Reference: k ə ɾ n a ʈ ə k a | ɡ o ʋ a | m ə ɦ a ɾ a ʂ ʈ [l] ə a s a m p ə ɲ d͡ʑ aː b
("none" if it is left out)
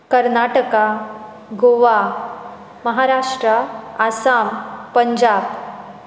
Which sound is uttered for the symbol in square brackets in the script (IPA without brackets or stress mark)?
ɾ